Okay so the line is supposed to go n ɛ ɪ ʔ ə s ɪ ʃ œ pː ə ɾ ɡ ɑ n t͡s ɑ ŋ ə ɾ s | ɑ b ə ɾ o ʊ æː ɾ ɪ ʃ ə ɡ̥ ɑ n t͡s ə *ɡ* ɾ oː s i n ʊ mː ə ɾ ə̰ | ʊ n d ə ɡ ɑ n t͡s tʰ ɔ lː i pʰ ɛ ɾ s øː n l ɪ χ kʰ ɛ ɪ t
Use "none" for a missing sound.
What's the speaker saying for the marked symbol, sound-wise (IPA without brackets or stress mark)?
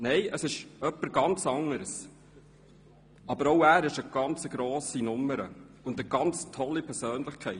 ɡ